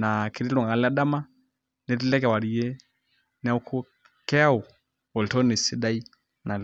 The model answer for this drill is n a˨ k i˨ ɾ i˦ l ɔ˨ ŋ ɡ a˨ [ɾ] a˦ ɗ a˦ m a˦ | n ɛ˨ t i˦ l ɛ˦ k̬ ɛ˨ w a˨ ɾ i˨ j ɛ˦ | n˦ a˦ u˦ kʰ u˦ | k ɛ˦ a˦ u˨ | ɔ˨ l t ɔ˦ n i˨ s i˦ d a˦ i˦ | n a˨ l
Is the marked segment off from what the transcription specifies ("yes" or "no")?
yes